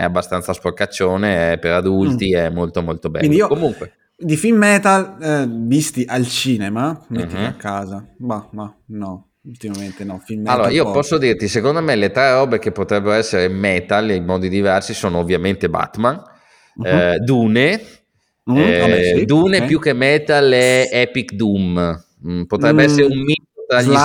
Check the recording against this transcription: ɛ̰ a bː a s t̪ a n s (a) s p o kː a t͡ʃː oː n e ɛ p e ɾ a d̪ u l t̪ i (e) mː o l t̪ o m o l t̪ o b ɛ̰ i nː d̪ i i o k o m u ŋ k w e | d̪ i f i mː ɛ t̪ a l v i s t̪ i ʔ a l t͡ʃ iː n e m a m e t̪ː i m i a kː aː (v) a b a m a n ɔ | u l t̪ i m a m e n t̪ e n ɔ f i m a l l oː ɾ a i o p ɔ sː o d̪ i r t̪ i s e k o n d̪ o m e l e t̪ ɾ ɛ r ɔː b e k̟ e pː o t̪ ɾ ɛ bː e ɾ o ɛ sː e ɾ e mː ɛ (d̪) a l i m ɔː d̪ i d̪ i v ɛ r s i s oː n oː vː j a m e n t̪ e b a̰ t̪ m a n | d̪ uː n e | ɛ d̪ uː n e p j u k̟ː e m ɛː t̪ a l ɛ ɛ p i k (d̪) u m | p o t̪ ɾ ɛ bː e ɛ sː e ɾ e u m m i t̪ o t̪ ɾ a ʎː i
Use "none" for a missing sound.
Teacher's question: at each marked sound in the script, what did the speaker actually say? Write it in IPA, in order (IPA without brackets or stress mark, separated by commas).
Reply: a, ɛ, z, t̪, d̪